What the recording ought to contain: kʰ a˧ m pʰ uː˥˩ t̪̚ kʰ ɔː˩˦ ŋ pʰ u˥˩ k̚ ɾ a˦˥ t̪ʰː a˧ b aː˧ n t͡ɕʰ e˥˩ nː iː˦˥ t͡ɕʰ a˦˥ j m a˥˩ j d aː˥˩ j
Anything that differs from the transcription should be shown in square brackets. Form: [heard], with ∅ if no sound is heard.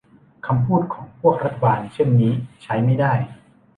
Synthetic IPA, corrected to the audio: kʰ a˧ m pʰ uː˥˩ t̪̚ kʰ ɔː˩˦ ŋ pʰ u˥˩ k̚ ɾ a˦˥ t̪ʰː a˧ b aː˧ n t͡ɕʰ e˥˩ nː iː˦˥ t͡ɕʰ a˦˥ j m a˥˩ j d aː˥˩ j